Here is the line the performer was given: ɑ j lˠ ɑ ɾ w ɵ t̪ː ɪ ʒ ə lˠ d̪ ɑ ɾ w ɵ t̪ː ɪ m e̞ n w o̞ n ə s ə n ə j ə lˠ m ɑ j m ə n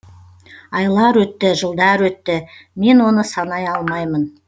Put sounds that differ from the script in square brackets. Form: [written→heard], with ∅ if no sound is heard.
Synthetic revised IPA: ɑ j lˠ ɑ ɾ w ɵ t̪ː ɪ ʒ ə lˠ d̪ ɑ ɾ w ɵ t̪ː ɪ m e̞ n w o̞ n ə s [ə→ɑ] n [ə→ɑ] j [ə→ɑ] lˠ m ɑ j m ə n